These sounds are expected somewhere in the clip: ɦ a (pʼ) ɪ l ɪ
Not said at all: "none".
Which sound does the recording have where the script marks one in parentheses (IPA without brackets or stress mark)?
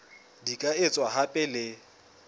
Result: pʼ